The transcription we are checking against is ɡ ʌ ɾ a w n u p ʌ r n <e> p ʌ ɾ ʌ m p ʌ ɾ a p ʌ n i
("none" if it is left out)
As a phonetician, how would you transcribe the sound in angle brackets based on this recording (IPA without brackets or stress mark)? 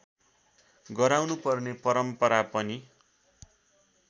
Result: e